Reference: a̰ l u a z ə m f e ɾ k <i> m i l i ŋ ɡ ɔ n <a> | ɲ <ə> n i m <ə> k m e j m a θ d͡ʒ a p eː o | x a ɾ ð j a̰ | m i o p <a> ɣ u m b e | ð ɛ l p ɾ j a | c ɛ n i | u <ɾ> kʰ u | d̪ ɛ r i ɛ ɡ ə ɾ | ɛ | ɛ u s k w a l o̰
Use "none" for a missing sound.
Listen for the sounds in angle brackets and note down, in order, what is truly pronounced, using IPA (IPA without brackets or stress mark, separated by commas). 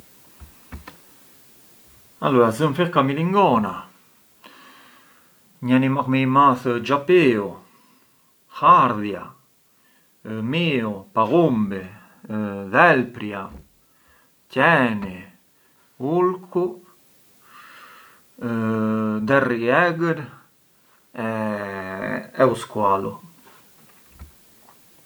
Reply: a, a, a, a, a, l